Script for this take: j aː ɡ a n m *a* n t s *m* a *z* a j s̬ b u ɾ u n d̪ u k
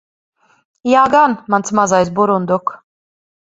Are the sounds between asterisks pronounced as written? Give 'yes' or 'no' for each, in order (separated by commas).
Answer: yes, yes, yes